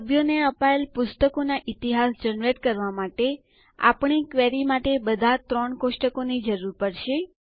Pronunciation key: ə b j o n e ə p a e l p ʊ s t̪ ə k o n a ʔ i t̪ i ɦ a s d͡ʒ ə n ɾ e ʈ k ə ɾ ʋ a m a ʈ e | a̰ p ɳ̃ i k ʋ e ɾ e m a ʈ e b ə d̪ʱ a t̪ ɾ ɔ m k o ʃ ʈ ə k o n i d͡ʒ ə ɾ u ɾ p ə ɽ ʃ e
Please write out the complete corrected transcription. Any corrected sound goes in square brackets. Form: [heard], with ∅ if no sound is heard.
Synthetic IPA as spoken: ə b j o n e ə p a e l p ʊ s t̪ ə k o n a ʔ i t̪ i ɦ a s d͡ʒ ə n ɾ e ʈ k ə ɾ ʋ a m a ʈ e | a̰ p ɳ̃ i k ʋ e ɾ [i] m a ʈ e b ə d̪ʱ a t̪ ɾ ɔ [ɳ] k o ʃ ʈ ə k o n i d͡ʒ ə ɾ u ɾ p ə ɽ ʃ e